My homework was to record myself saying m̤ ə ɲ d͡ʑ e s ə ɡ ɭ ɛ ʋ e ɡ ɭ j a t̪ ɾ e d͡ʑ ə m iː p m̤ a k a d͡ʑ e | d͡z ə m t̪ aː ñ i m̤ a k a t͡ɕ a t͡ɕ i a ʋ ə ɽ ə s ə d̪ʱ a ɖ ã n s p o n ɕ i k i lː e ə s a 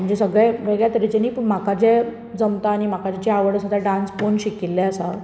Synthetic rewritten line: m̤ ə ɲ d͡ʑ e s ə ɡ ɭ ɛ ʋ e ɡ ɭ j a t̪ ɾ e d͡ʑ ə n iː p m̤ a k a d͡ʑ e | d͡z ə m t̪ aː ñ i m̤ a k a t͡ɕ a t͡ɕ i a ʋ ə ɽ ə s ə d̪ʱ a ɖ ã n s p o n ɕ i k i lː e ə s a